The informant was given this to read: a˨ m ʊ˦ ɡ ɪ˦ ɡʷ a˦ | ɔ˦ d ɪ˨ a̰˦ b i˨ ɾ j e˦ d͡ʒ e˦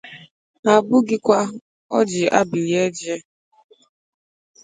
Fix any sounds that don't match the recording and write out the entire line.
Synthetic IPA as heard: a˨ b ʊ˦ ɡ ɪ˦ kʷ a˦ | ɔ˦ d͡ʒ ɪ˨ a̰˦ b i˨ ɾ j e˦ d͡ʒ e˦